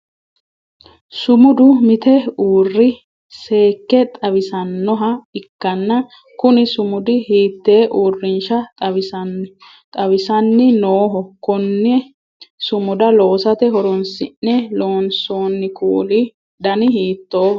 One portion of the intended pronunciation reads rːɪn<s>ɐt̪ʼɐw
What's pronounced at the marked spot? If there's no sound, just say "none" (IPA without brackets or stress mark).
ʃ